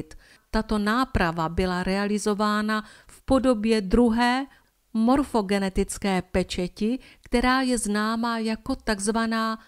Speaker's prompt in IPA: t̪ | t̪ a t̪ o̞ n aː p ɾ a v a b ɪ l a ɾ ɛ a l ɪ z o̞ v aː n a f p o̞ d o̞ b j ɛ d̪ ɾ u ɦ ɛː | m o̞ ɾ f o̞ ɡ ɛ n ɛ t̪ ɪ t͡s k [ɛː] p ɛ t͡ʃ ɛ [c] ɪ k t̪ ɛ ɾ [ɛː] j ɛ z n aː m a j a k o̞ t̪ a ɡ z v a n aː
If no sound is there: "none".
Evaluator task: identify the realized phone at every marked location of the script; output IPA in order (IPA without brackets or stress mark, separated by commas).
ɛː, c, aː